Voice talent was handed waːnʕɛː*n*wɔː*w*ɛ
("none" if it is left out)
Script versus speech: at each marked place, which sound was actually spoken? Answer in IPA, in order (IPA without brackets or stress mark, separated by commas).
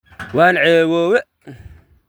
none, w